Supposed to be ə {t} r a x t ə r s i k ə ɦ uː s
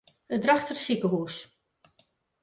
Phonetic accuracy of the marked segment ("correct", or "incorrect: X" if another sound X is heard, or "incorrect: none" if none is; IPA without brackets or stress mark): incorrect: d